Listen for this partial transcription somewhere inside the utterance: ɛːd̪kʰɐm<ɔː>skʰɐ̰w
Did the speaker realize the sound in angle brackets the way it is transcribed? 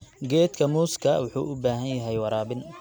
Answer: no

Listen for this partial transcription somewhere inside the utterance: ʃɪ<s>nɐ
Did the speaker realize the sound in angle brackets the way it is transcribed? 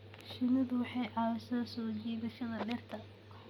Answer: no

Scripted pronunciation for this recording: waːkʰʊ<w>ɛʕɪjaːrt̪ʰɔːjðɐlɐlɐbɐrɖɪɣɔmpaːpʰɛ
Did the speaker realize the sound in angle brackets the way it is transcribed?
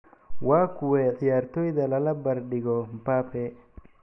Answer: yes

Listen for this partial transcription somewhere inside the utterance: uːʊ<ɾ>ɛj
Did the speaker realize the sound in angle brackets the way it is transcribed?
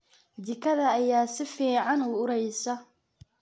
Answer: yes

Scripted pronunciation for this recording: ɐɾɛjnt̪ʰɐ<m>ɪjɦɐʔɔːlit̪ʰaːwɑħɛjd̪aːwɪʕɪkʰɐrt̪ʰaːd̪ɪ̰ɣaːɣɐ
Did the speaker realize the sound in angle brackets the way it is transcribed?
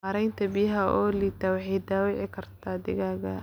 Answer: no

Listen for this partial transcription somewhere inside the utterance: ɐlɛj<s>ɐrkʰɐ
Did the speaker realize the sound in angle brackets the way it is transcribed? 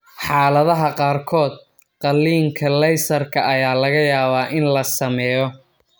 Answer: yes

